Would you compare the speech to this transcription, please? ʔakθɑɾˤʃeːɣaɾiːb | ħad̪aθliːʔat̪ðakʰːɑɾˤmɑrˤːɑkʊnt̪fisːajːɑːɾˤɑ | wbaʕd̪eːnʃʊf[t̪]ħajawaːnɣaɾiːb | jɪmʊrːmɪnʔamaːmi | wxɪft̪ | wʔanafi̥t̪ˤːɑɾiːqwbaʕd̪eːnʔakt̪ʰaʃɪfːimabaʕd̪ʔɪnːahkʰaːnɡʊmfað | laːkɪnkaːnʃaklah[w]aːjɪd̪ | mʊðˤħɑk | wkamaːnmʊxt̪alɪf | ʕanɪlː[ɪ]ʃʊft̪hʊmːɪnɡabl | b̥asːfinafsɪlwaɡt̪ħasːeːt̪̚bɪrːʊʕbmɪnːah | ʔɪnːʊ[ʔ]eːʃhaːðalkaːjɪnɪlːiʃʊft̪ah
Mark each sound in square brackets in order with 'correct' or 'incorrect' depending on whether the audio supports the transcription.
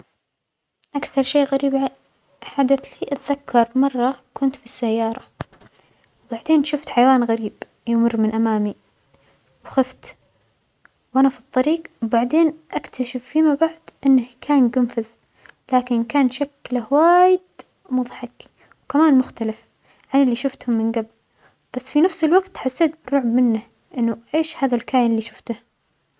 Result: correct, correct, incorrect: i, correct

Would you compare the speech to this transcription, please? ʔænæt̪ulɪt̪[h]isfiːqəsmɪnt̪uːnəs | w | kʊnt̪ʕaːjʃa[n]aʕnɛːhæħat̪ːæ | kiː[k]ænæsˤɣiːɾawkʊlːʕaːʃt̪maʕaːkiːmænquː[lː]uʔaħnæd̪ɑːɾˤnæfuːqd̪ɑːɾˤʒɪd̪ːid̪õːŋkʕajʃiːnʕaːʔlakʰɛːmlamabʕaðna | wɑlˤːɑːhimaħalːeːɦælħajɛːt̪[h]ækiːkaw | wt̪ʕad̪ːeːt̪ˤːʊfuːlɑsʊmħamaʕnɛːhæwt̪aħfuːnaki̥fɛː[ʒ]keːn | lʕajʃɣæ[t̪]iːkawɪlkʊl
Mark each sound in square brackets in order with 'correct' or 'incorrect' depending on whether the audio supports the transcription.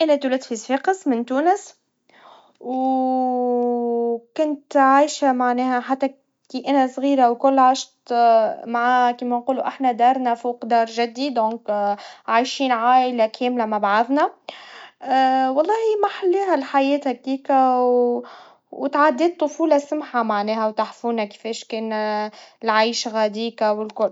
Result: incorrect: f, incorrect: m, incorrect: ʔ, incorrect: l, correct, incorrect: ʃ, incorrect: d̪

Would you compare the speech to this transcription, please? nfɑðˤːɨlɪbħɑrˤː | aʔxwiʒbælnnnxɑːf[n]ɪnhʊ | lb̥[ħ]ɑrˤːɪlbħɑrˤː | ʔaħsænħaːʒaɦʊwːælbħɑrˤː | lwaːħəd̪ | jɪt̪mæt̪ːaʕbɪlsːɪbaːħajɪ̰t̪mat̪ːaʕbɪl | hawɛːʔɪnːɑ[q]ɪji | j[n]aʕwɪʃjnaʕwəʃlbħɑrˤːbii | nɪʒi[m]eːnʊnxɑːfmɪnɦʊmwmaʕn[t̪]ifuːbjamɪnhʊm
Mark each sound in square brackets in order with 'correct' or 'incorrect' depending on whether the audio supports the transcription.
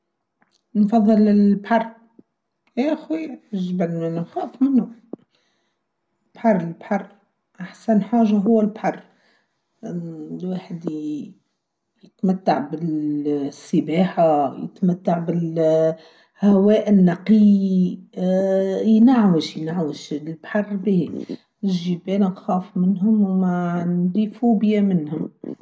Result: incorrect: m, correct, correct, correct, incorrect: b, incorrect: d̪

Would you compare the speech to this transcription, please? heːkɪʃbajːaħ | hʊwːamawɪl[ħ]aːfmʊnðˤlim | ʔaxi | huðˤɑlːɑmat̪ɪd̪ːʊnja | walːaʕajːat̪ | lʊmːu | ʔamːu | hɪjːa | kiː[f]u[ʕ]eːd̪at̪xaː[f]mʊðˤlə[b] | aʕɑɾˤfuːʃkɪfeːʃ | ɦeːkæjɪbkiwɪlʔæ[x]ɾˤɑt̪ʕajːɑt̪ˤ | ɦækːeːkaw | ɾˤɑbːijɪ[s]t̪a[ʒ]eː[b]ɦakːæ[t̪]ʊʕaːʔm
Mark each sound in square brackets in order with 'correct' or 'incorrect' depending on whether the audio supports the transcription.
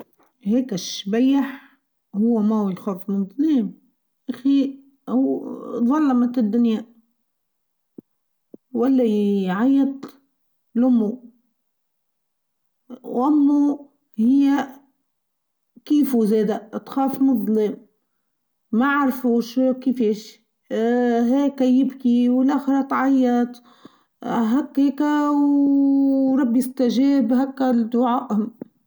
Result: incorrect: x, correct, incorrect: z, correct, incorrect: m, correct, correct, correct, correct, incorrect: d̪

